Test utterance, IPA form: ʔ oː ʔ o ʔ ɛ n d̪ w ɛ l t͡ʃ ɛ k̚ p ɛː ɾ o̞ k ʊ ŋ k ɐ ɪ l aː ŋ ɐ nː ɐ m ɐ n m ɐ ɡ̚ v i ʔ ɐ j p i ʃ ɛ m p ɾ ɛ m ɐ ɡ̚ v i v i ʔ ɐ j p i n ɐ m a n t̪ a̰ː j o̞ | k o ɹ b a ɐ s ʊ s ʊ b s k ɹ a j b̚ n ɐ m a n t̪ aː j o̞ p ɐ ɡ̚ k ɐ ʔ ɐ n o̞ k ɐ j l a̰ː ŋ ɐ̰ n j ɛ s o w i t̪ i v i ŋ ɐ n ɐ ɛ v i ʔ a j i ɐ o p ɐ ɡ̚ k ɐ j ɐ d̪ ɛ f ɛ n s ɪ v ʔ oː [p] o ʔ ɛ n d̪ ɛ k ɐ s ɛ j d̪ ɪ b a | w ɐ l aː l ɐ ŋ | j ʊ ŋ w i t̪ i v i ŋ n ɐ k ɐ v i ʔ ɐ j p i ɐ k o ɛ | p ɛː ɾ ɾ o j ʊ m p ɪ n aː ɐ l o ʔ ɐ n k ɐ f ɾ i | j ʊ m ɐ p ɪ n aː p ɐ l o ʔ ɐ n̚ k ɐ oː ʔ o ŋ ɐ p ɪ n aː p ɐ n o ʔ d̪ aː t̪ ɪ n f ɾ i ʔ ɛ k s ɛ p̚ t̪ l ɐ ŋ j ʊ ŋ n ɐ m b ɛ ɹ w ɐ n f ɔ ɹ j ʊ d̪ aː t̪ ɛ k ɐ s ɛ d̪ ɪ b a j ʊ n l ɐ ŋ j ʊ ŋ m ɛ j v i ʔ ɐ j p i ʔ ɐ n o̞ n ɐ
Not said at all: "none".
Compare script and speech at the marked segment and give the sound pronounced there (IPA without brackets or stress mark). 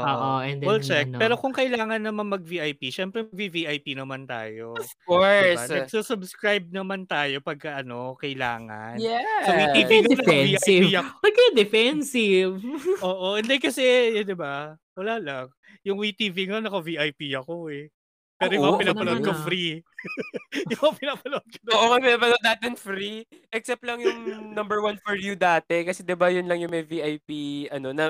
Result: ʔ